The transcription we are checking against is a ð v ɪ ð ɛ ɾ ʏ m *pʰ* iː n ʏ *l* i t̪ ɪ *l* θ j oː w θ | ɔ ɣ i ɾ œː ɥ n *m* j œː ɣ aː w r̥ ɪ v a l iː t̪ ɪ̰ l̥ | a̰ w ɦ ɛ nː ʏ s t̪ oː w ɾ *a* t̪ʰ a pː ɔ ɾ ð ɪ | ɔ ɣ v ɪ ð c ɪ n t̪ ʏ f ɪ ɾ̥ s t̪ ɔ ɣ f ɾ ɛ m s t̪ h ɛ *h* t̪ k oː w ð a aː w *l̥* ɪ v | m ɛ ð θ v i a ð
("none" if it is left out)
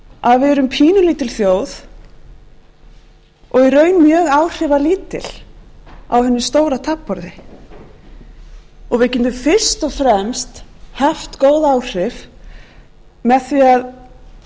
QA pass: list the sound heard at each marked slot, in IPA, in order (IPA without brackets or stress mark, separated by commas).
pʰ, l, l, m, a, f, r̥